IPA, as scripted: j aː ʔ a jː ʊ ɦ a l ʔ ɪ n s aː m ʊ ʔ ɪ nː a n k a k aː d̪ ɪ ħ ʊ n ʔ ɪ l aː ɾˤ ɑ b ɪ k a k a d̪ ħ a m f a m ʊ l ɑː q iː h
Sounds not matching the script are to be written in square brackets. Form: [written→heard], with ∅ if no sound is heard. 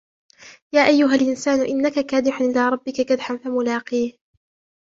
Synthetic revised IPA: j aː ʔ a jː ʊ ɦ a l ʔ ɪ n s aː [m→n] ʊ ʔ ɪ nː a [n→∅] k a k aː d̪ ɪ ħ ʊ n ʔ ɪ l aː ɾˤ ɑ [b→bː] ɪ k a k a d̪ ħ a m f a m ʊ l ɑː q iː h